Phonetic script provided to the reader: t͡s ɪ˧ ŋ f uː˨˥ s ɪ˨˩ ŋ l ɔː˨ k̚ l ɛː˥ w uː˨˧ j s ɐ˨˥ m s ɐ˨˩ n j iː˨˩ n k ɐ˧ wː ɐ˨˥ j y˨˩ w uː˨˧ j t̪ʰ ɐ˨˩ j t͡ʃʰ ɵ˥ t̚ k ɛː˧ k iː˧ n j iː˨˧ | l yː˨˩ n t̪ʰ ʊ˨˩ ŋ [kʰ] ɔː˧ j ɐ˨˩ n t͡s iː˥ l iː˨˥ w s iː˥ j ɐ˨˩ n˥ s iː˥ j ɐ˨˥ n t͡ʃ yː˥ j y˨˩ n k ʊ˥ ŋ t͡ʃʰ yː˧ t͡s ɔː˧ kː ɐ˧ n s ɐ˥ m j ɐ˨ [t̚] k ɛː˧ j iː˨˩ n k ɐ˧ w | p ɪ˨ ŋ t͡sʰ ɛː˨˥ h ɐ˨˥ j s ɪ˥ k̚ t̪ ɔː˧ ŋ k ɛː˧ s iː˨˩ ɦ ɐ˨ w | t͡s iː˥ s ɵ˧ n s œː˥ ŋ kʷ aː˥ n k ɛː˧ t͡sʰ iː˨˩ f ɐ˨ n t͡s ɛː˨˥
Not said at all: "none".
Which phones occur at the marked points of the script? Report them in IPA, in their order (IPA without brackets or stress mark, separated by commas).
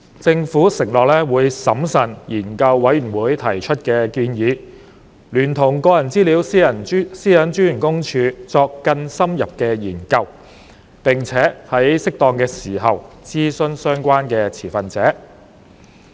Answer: k, p̚